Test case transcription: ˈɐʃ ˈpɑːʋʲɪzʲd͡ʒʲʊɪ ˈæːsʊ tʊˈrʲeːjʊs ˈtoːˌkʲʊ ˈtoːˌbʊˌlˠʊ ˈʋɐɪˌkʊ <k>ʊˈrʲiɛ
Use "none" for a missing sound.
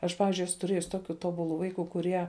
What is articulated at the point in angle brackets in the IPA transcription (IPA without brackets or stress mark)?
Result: k